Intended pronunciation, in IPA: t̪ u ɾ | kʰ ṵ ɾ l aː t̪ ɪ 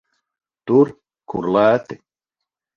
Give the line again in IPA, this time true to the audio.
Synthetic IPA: t̪ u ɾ | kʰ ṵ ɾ l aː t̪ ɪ